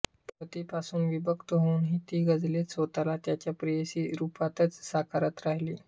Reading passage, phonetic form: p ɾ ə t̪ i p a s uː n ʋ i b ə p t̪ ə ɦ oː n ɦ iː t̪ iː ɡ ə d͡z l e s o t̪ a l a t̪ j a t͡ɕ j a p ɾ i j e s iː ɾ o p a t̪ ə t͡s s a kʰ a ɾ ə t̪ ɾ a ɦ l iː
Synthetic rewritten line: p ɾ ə t̪ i p a s uː n ʋ i b ə k t̪ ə ɦ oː n ɦ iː t̪ iː ɡ ə d͡z l e s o t̪ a l a t̪ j a t͡ɕ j a p ɾ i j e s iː ɾ u p a t̪ ə t͡s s a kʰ a ɾ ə t̪ ɾ a ɦ l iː

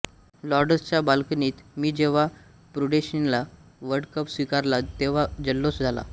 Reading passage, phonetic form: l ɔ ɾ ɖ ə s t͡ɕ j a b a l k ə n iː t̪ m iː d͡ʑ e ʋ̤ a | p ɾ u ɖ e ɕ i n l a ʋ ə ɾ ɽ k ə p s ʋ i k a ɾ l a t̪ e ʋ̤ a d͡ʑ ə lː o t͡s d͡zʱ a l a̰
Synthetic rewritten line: l ɔ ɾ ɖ ə s t͡ɕ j a b a l k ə n iː t̪ m iː d͡ʑ e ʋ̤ a | p ɾ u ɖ e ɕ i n l a ʋ ə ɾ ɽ k ə p s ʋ i k a ɾ l a t̪ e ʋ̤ a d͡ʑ ə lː o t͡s d͡zʱ a l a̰

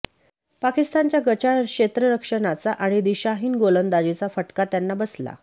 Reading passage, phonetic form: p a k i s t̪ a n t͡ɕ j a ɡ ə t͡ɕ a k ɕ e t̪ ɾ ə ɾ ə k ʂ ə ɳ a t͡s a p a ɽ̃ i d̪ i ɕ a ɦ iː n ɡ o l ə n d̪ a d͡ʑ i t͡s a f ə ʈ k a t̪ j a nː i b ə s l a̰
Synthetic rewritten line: p a k i s t̪ a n t͡ɕ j a ɡ ə t͡ɕ a k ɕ e t̪ ɾ ə ɾ ə k ʂ ə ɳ a t͡s a ʔ a ɽ̃ i d̪ i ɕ a ɦ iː n ɡ o l ə n d̪ a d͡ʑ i t͡s a f ə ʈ k a t̪ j a nː a b ə s l a̰

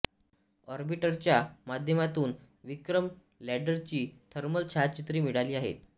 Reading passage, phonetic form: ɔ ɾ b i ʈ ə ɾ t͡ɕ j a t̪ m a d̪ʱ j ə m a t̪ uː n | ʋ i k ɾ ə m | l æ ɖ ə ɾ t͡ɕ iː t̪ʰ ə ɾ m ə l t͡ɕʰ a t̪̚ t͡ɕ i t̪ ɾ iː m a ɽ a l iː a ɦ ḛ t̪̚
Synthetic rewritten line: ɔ ɾ b i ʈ ə ɾ t͡ɕ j a m a d̪ʱ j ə m a t̪ uː n | ʋ i k ɾ ə m | l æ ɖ ə ɾ t͡ɕ iː t̪ʰ ə ɾ m ə l t͡ɕʰ a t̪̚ t͡ɕ i t̪ ɾ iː m i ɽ a l iː a ɦ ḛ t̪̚

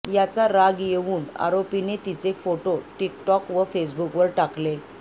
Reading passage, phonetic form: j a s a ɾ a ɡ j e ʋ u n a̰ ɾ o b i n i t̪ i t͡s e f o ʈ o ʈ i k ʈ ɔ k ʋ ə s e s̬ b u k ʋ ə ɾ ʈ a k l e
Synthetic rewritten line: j a t͡s a ɾ a ɡ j e ʋ uː n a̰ ɾ o p i n e t̪ i t͡s e f o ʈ o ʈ i k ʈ ɔ k ʋ ə f e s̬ b u k ʋ ə ɾ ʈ a k l e

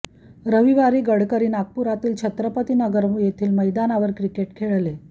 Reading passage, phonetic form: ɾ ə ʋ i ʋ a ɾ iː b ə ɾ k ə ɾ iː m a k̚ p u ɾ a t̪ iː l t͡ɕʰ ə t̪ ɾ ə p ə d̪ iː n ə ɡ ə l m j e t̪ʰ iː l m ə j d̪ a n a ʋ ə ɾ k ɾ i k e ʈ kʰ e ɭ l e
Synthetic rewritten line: ɾ ə ʋ i ʋ a ɾ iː ɡ ə ɽ k ə ɾ iː n a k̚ p u ɾ a t̪ iː l t͡ɕʰ ə t̪ ɾ ə p ə t̪ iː n ə ɡ ə ɾ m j e t̪ʰ iː l m ə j d̪ a n a ʋ ə ɾ k ɾ i k e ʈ kʰ e ɭ l e

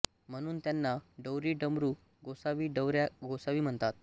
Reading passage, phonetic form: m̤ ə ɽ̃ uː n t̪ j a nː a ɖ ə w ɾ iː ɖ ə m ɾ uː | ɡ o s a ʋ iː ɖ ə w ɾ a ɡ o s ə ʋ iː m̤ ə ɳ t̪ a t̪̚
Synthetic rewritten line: m̤ ə ɽ̃ uː n t̪ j a nː a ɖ ə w ɾ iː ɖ ə m ɾ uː | ɡ o s a ʋ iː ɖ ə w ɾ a ɡ o s a ʋ iː m̤ ə ɳ t̪ a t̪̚

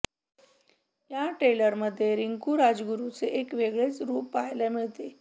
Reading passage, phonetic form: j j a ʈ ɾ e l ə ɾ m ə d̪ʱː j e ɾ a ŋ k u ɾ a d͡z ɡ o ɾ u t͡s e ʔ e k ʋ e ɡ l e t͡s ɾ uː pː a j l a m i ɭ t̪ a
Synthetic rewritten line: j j a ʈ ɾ e l ə ɾ m ə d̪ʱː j e ɾ i ŋ k u ɾ a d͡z ɡ u ɾ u t͡s e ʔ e k ʋ e ɡ ɭ e t͡s ɾ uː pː a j l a m i ɭ t̪ e

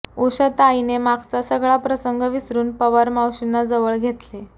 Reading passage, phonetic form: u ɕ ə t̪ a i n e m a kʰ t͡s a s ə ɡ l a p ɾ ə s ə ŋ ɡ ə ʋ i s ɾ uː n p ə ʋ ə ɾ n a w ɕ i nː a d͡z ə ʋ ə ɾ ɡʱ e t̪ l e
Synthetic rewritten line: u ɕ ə t̪ a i n e m a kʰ t͡s a s ə ɡ ɭ a p ɾ ə s ə ŋ ɡ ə ʋ i s ɾ uː n p ə ʋ ə ɾ m a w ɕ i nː a d͡z ə ʋ ə ɭ ɡʱ e t̪ l e

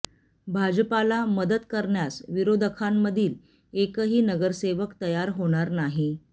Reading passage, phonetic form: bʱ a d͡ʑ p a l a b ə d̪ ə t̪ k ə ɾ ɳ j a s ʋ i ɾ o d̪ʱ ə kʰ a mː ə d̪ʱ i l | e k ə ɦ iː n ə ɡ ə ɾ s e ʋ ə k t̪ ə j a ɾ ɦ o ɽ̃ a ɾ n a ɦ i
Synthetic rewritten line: bʱ a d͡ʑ p a l a m ə d̪ ə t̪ k ə ɾ ɳ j a s ʋ i ɾ o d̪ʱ ə kʰ a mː ə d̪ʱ iː l | e k ə ɦ iː n ə ɡ ə ɾ s e ʋ ə k t̪ ə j a ɾ ɦ o ɽ̃ a ɾ n a ɦ i

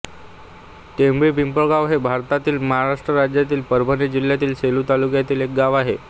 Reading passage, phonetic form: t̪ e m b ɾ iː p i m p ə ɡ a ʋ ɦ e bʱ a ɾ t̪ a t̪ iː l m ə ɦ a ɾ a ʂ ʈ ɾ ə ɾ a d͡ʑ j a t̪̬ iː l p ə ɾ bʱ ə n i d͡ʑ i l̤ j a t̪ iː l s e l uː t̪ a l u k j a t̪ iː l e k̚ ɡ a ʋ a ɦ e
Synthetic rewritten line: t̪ e m b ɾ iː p i m p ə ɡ a ʋ ɦ e bʱ a ɾ t̪ a t̪ iː l m ə ɦ a ɾ a ʂ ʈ ɾ ə ɾ a d͡ʑ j a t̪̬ iː l p ə ɾ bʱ ə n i d͡ʑ i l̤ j a t̪ iː l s e l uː t̪ a l u k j a t̪ iː l e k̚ ɡ a ʋ a ɦ e

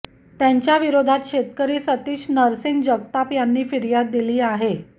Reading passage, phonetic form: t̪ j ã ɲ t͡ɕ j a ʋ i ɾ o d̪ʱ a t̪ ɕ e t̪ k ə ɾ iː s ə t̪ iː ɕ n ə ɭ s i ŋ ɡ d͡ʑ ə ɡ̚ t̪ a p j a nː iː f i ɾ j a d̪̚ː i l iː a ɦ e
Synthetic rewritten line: t̪ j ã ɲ t͡ɕ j a ʋ i ɾ o d̪ʱ a t̪ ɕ e t̪ k ə ɾ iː s ə t̪ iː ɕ n ə ɾ s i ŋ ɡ d͡ʑ ə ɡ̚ t̪ a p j a nː iː f i ɾ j a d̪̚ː i l iː a ɦ e

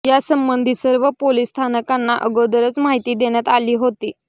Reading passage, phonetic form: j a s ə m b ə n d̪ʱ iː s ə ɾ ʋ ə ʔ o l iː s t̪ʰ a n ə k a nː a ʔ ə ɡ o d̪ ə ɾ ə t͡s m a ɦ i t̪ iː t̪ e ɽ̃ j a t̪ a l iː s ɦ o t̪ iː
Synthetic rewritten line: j a s ə m b ə n d̪ʱ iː s ə ɾ ʋ ə p o l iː s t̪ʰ a n ə k a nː a ʔ ə ɡ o d̪ ə ɾ ə t͡s m a ɦ i t̪ iː d̪ e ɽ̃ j a t̪ a l iː ɦ o t̪ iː

